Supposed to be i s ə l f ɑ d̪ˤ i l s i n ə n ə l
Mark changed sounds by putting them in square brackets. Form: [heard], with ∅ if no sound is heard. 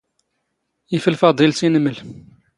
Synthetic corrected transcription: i [f] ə l f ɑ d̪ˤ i l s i n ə [m] ə l